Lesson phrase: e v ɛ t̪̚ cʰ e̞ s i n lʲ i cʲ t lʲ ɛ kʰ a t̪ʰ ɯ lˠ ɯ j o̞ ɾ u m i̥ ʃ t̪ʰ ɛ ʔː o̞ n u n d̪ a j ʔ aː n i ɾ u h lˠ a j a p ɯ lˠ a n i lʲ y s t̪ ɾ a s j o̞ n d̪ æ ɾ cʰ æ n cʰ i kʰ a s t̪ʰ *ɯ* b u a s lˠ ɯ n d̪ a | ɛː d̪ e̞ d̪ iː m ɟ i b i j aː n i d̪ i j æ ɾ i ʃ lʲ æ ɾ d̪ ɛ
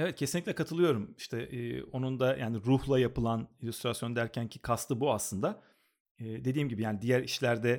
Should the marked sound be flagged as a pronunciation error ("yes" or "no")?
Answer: no